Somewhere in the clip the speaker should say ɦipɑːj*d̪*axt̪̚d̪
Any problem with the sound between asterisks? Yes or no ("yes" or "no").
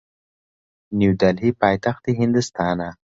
yes